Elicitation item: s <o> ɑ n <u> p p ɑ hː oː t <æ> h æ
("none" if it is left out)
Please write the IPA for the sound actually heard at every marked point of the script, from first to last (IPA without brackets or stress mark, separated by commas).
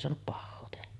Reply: o, u, e